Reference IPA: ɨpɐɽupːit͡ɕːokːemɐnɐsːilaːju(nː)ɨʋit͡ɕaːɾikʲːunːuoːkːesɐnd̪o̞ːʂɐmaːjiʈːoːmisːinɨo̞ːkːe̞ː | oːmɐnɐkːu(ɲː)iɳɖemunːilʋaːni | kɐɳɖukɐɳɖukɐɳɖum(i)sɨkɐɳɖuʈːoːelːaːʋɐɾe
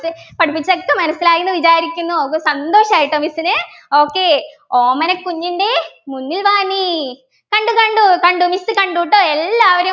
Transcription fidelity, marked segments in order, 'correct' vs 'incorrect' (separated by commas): correct, correct, correct